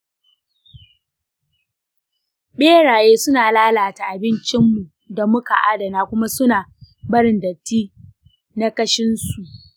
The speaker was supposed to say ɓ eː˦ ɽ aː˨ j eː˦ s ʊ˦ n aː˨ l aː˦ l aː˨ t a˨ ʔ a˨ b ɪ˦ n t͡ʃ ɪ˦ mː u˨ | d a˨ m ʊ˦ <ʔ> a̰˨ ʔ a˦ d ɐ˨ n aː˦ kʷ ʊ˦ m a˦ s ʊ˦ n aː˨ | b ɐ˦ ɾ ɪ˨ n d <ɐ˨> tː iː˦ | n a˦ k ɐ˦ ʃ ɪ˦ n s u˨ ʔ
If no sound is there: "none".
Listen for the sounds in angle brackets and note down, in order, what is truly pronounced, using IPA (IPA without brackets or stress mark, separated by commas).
k, ɐ˨